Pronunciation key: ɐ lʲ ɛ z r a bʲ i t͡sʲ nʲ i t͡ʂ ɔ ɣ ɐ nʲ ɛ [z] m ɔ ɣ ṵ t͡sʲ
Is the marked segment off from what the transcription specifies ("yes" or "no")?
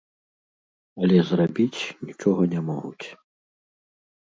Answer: yes